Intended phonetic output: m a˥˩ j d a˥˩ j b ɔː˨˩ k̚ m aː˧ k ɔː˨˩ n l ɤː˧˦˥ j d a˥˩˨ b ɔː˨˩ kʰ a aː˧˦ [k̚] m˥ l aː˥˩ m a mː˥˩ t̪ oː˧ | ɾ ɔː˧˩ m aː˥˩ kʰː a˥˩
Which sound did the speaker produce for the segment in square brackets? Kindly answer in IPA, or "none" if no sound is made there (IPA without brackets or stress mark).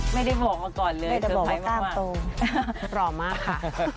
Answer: none